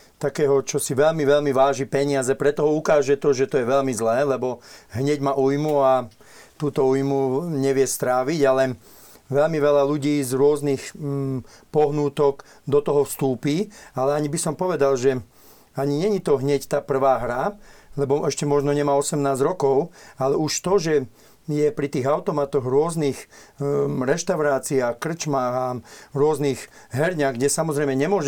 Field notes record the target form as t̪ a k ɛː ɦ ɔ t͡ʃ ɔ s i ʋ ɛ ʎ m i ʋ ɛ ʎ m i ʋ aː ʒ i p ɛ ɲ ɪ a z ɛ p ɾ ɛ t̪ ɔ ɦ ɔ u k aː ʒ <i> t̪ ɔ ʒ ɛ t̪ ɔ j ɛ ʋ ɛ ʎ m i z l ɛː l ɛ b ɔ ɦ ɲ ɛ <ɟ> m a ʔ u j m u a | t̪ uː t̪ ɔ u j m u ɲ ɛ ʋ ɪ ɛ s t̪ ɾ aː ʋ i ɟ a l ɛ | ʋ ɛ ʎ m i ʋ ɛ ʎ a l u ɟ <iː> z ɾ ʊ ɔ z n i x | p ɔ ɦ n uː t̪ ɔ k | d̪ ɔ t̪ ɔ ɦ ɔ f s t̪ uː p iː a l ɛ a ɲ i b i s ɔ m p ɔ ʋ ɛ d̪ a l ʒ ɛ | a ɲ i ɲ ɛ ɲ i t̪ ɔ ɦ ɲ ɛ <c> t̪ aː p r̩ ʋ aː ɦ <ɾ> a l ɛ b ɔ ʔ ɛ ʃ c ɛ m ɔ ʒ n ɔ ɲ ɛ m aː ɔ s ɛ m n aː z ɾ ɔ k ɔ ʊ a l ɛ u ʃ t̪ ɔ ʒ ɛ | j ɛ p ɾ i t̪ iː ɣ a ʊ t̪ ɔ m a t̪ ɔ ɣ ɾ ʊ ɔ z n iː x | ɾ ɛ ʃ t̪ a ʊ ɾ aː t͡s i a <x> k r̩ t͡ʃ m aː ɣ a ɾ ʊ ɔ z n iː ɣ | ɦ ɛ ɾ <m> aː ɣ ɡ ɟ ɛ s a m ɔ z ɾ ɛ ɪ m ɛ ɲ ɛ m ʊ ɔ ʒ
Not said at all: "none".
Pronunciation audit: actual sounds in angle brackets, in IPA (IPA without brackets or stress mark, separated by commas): ɛ, ɟ, iː, c, ɾ, x, ɲ